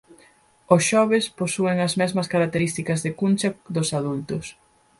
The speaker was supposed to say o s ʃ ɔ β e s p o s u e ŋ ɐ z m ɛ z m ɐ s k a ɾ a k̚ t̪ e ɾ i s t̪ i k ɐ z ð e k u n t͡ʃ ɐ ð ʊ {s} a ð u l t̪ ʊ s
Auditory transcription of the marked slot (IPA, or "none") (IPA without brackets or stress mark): s